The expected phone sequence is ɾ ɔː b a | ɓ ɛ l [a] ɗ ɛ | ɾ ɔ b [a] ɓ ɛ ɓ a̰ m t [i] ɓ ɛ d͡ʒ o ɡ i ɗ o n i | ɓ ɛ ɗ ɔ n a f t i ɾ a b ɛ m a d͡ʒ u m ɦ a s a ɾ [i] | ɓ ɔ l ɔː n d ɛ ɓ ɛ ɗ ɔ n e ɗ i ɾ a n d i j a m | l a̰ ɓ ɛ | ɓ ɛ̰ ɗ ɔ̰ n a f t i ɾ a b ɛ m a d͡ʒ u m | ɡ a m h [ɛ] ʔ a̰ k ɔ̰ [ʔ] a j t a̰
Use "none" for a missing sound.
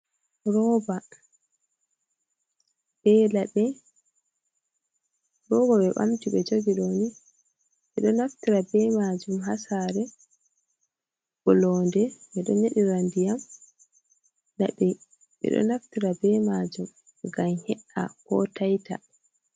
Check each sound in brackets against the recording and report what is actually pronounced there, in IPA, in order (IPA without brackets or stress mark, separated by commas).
a, a, i, ɛ, ɛ, t